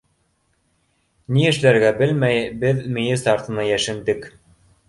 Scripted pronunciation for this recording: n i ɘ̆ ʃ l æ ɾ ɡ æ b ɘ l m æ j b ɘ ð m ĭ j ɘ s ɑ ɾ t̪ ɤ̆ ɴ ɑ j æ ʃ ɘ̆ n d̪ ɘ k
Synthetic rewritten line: n i ɘ̆ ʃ l æ ɾ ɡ æ b ɘ l m æ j b ɘ ð m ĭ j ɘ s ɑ ɾ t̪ ɤ̆ n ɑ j æ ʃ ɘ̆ n d̪ ɘ k

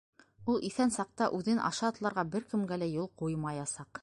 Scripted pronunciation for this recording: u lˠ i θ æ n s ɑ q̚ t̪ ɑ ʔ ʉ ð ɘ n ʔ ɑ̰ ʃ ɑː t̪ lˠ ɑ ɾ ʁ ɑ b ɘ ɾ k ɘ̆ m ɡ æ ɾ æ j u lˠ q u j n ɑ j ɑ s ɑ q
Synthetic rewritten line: u lˠ i θ æ n s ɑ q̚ t̪ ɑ ʔ ʉ ð ɘ n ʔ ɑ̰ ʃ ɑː t̪ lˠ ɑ ɾ ʁ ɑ b ɘ ɾ k ɘ̆ m ɡ æ l æ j u lˠ q u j m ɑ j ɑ s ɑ q

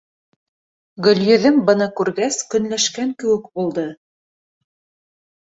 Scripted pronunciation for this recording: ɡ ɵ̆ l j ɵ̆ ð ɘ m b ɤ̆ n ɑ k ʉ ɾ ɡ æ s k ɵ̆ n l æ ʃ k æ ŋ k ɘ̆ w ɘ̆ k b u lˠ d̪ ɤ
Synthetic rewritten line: ɡ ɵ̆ l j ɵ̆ ð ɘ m b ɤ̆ n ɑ k ʉ ɾ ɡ æ s k ɵ̆ n l æ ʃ k æ ŋ k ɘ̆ w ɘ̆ k b u lˠ d̪ ɤ

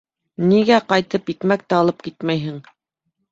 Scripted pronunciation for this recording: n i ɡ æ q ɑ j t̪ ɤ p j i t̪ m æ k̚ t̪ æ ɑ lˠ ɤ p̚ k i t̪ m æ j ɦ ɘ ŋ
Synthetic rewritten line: n i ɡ æ q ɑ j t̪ ɤ p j i t̪ m æ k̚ t̪ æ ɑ lˠ ɤ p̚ k i t̪ m æ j ɦ ɘ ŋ

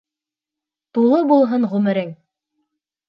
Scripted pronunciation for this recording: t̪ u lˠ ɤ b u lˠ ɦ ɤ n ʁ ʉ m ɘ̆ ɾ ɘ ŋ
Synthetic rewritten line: t̪ u lˠ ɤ b u lˠ ɦ ɤ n ʁ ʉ m ɘ̆ ɾ ɘ ŋ

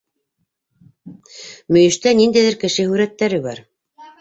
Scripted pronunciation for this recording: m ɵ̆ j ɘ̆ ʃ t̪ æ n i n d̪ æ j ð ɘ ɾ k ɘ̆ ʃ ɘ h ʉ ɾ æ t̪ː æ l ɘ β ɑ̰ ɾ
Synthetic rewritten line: m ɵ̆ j ɘ̆ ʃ t̪ æ n i n d̪ æ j ð ɘ ɾ k ɘ̆ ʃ ɘ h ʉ ɾ æ t̪ː æ ɾ ɘ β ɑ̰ ɾ

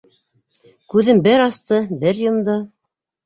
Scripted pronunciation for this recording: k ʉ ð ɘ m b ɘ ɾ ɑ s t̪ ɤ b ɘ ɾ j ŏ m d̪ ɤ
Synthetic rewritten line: k ʉ ð ɘ m b ɘ ɾ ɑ s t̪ ɤ b ɘ ɾ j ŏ m d̪ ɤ

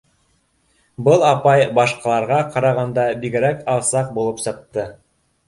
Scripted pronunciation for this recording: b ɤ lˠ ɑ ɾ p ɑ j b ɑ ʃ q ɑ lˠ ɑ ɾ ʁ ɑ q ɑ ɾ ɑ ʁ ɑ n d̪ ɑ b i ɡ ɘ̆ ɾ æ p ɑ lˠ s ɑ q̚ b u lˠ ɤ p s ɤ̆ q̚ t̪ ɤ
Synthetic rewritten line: b ɤ lˠ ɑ p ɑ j b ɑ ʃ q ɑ lˠ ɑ ɾ ʁ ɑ q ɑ ɾ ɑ ʁ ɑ n d̪ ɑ b i ɡ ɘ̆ ɾ æ k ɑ lˠ s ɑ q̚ b u lˠ ɤ p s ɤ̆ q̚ t̪ ɤ

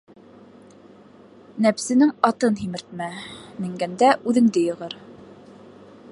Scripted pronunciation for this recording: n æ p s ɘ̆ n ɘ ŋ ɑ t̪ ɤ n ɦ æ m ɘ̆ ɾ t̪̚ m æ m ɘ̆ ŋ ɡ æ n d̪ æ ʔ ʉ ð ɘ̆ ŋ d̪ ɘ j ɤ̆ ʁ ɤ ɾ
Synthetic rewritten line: n æ p s ɘ̆ n ɘ ŋ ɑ t̪ ɤ n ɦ i m ɘ̆ ɾ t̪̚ m æ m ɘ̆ ŋ ɡ æ n d̪ æ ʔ ʉ ð ɘ̆ ŋ d̪ ɘ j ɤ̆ ʁ ɤ ɾ

